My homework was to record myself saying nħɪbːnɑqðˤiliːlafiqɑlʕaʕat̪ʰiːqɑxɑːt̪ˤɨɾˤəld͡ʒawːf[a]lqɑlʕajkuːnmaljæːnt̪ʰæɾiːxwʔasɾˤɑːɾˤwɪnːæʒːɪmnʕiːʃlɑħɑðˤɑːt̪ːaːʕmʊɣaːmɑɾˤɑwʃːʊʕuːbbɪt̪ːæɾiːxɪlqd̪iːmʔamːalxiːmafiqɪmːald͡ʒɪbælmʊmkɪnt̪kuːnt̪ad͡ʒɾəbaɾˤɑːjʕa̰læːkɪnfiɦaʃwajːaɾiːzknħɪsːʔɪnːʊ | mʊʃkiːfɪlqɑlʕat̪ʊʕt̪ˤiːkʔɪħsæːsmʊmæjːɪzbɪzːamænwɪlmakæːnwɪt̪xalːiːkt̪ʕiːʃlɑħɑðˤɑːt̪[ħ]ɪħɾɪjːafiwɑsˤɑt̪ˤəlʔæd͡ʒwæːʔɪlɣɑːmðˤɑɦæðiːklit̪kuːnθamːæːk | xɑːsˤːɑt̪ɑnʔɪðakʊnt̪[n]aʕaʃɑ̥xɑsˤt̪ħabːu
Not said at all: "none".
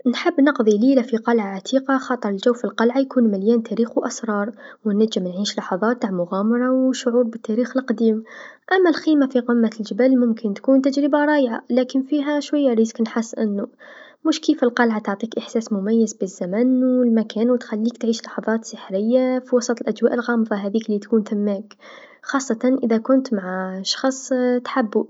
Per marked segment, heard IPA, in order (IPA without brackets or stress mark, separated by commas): i, s, m